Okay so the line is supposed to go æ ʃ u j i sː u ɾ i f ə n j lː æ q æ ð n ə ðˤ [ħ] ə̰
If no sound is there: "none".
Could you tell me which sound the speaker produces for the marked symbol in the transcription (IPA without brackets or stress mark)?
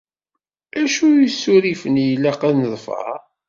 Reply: f